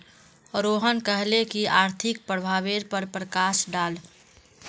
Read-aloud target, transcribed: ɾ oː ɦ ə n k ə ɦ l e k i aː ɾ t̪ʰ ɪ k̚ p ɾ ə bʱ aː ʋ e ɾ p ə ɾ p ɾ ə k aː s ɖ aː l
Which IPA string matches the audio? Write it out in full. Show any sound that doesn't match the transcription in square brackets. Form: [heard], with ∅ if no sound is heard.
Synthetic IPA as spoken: ɾ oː ɦ ə n k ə ɦ l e k i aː ɾ t̪ʰ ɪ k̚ p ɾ ə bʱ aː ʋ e ɾ p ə ɾ p ɾ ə k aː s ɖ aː l

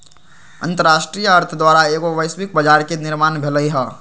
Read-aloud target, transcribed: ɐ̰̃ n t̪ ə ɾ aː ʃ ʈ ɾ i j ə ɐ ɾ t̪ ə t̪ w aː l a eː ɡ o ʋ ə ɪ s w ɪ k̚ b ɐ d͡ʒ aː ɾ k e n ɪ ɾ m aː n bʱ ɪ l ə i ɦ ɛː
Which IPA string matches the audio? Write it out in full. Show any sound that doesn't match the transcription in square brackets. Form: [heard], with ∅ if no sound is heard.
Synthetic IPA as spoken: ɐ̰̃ n t̪ ə ɾ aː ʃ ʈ ɾ i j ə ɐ ɾ [t̪ʰ] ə [d̪] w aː [ɾ] a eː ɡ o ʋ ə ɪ s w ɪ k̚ b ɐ d͡ʒ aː ɾ k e n ɪ ɾ m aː n bʱ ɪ l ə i ɦ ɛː

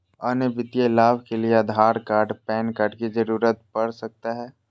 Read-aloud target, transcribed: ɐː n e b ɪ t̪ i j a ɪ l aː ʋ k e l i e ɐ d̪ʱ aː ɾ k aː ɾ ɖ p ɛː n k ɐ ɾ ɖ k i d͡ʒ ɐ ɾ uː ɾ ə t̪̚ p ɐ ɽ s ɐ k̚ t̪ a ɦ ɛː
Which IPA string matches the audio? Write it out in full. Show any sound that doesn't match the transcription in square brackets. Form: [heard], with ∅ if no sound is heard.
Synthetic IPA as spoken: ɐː n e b ɪ t̪ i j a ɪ l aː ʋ k e l i e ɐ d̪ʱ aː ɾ k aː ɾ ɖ p ɛː n k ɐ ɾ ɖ k i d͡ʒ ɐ ɾ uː ɾ ə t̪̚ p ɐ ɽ s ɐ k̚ t̪ a ɦ ɛː

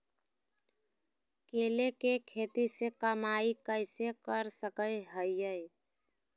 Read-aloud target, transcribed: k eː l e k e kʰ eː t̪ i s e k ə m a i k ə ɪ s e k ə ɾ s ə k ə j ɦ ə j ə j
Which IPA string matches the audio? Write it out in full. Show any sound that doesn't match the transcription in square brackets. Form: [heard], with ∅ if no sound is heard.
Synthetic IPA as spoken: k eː l e k e kʰ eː t̪ i s e k ə m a i k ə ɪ s e k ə ɾ s ə k ə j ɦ ə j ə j

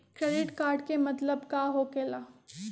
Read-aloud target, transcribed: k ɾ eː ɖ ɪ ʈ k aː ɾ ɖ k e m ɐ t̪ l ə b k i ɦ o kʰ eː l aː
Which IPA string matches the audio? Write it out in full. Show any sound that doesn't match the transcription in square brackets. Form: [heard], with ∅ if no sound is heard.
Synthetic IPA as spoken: k ɾ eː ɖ ɪ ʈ k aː ɾ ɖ k e m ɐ t̪ l ə b k [a] ɦ o [k] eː l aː

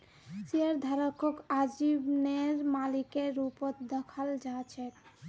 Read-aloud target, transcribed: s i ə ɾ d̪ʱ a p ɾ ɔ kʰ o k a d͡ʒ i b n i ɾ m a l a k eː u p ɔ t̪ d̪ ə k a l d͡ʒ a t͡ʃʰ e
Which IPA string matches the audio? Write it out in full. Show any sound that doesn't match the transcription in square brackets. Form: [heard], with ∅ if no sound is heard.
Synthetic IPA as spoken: s i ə ɾ d̪ʱ a [∅] ɾ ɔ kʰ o k a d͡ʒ i b n [e] ɾ m a l [i] k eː u p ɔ t̪ d̪ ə [kʰ] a l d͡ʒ a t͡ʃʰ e

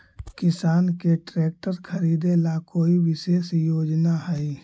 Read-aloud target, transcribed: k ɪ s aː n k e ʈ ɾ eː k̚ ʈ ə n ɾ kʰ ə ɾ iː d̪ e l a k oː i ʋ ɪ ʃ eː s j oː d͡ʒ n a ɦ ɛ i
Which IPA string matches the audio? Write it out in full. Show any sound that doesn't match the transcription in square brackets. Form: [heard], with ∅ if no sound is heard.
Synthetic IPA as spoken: k ɪ s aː n k e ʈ ɾ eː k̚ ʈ ə [∅] ɾ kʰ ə ɾ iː d̪ e l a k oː i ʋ ɪ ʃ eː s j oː d͡ʒ n a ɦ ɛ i

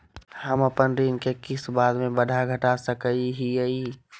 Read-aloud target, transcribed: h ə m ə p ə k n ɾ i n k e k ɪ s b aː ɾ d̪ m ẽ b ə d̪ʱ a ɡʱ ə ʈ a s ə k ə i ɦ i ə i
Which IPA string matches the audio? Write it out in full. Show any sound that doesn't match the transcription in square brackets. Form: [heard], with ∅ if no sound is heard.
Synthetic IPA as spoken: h ə m ə p ə [∅] n ɾ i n k e k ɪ s b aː [∅] d̪ m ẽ b ə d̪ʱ a ɡʱ ə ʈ a s ə k ə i ɦ i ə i

